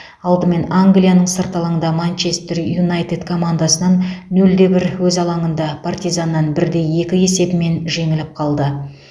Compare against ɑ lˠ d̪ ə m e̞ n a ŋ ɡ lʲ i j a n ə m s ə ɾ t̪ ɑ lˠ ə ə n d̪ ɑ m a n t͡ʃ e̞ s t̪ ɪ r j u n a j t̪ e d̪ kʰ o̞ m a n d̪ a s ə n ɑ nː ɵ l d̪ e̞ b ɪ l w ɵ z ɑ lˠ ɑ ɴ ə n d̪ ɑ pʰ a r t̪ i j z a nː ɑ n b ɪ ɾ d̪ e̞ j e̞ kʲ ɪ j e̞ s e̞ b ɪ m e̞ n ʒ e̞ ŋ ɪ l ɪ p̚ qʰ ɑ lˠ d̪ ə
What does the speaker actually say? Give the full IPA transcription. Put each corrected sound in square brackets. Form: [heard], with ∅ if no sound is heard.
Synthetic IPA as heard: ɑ lˠ d̪ ə m e̞ n a ŋ ɡ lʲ i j a n ə [ɴ] s ə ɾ t̪ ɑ lˠ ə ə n d̪ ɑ m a n t͡ʃ e̞ s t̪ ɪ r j u n a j t̪ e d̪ kʰ o̞ m a n d̪ a s ə n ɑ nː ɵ l d̪ e̞ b ɪ [ɾ] w ɵ z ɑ lˠ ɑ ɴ ə n d̪ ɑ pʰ a r t̪ i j z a nː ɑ n b ɪ ɾ d̪ e̞ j e̞ kʲ ɪ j e̞ s e̞ b ɪ m e̞ n ʒ e̞ ŋ ɪ l ɪ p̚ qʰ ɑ lˠ d̪ ə